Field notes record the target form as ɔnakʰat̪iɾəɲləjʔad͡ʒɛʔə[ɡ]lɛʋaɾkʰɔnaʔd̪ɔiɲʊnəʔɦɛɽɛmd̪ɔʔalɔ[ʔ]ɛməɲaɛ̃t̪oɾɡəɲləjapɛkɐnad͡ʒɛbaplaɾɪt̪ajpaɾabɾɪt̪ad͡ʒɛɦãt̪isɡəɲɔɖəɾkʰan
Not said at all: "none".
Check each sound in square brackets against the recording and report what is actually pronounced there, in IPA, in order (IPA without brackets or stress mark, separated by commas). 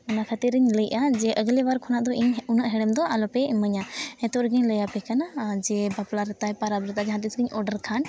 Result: ɡ, p